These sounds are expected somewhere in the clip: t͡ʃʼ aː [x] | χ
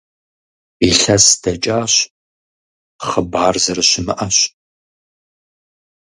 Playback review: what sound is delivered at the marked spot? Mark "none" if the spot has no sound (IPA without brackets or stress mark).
ɕ